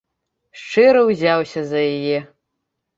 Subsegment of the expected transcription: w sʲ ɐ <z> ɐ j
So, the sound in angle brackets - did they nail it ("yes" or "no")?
yes